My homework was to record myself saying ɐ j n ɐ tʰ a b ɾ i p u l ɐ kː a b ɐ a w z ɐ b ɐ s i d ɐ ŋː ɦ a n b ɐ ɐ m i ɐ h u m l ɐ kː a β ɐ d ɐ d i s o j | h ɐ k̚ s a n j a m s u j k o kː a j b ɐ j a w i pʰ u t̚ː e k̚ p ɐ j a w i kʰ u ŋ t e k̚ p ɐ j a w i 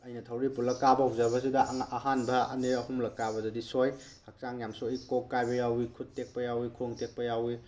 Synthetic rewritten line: ɐ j n ɐ tʰ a w ɾ i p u l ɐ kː a b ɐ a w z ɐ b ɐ s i d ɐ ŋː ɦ a n b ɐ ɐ n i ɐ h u m l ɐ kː a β ɐ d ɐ d i s o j | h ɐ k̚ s a ŋ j a m s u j k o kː a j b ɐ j a w i kʰ u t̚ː e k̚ p ɐ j a w i kʰ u ŋ t e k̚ p ɐ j a w i